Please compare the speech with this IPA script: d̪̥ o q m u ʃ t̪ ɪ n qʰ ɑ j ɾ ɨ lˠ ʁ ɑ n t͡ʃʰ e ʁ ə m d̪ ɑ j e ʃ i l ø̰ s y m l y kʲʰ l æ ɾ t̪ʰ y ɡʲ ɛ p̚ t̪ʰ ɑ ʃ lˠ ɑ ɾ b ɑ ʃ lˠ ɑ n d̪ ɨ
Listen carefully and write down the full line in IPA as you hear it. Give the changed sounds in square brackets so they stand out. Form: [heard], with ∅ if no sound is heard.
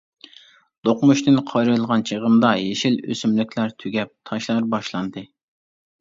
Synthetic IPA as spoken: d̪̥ o q m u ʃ t̪ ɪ n qʰ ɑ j ɾ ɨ lˠ ʁ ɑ n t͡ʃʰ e ʁ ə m d̪ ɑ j e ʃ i l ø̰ s y m l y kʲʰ l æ ɾ t̪ʰ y ɡʲ ɛ p̚ t̪ʰ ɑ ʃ lˠ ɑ ɾ b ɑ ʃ lˠ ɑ n d̪ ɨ